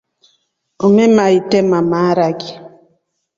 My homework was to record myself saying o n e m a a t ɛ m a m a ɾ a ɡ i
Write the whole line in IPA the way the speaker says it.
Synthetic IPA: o m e m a i t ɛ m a m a ɾ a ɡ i